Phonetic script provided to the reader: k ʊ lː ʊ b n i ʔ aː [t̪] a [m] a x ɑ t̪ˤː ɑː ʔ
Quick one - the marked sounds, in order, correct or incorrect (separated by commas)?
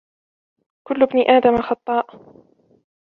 incorrect, correct